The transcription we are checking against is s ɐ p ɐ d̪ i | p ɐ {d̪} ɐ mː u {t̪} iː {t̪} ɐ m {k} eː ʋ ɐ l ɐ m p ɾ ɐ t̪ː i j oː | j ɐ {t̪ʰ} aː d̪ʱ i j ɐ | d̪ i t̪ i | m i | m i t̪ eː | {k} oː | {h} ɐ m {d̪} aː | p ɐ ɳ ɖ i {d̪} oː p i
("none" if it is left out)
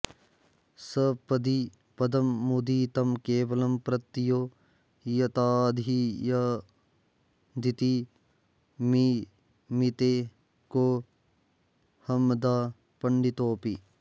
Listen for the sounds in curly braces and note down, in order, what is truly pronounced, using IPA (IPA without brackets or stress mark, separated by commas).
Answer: d̪, d̪, t̪, k, t̪, k, h, d̪, t̪